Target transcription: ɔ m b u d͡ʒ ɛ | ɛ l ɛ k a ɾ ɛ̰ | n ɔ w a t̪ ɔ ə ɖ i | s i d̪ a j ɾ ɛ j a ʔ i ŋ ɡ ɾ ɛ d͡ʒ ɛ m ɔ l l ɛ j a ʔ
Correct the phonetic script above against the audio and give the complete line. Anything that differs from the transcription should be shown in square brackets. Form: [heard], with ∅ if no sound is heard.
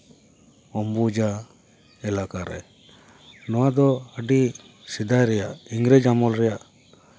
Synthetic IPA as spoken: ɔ m b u d͡ʒ [a] | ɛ l [a] k a ɾ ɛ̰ | n ɔ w a [d̪] ɔ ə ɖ i | s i d̪ a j ɾ ɛ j a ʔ i ŋ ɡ ɾ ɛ d͡ʒ [a] m ɔ l [ɾ] ɛ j a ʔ